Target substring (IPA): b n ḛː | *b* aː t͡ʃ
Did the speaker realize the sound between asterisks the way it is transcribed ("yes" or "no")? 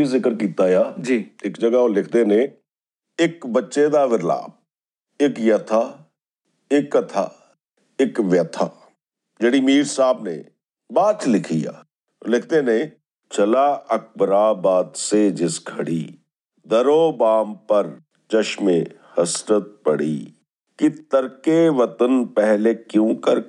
yes